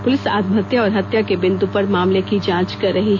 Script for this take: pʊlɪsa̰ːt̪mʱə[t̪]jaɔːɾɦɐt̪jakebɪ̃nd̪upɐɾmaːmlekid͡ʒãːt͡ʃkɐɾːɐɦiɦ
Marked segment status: correct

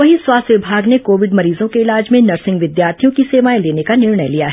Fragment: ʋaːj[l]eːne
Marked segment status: correct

